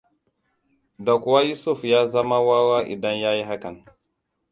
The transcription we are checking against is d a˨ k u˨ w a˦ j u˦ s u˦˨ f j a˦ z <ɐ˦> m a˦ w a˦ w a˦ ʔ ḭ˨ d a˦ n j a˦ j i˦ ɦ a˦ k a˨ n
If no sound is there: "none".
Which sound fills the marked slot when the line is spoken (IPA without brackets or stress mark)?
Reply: a˦